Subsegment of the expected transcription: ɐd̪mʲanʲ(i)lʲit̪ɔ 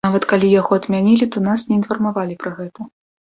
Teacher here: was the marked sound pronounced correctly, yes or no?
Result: yes